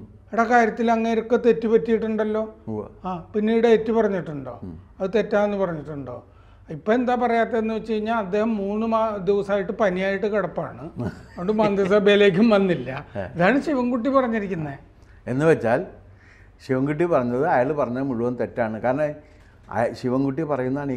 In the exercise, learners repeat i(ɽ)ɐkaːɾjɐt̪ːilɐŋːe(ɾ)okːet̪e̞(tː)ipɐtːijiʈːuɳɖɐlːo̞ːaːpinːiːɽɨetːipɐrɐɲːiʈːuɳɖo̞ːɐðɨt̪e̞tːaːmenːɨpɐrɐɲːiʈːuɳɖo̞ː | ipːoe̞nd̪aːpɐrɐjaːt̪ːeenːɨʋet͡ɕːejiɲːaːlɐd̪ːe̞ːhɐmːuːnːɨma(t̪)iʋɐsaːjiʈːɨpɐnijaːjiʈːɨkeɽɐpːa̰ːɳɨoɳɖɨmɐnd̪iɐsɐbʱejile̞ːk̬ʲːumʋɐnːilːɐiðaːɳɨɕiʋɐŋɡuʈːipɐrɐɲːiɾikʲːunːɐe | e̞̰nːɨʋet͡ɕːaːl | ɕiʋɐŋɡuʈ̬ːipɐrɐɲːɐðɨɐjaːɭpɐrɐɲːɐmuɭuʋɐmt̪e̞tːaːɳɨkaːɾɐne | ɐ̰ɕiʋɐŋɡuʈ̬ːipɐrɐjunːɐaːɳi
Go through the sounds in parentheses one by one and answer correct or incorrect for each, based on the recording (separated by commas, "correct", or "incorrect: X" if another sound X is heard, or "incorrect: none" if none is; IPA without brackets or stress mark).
correct, correct, correct, incorrect: d̪